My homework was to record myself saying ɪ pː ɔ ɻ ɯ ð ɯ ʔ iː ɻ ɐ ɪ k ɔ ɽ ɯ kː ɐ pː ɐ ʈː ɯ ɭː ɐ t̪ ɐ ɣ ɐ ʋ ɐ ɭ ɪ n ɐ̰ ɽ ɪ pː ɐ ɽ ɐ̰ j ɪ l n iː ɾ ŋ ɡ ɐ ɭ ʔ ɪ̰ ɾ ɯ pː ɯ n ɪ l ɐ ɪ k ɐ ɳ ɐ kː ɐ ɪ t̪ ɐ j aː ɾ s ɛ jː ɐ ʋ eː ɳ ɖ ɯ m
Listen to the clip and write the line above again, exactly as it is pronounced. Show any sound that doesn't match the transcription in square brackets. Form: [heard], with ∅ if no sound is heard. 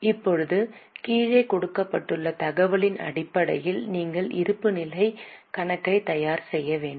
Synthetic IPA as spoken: ɪ pː ɔ ɻ ɯ ð ɯ [k] iː ɻ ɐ ɪ k ɔ ɽ ɯ kː ɐ pː ɐ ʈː ɯ ɭː ɐ t̪ ɐ ɣ ɐ ʋ ɐ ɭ ɪ n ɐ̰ ɽ ɪ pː ɐ ɽ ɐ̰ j ɪ l n iː [∅] ŋ ɡ ɐ ɭ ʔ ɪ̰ ɾ ɯ pː ɯ n ɪ l ɐ ɪ k ɐ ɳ ɐ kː ɐ ɪ t̪ ɐ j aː ɾ s ɛ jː ɐ ʋ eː ɳ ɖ ɯ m